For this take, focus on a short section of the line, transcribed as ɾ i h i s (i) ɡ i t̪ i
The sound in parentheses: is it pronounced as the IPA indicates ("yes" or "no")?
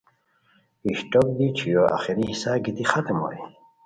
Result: no